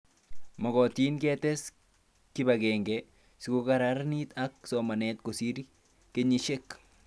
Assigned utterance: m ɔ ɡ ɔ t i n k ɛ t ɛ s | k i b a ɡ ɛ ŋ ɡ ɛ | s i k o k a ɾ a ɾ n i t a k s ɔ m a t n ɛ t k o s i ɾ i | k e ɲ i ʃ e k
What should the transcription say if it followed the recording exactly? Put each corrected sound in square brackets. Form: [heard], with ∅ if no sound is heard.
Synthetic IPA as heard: m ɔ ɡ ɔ t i n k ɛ t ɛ s | k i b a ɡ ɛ ŋ ɡ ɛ | s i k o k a ɾ a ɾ n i t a k s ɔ m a [∅] n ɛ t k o s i ɾ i | k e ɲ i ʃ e k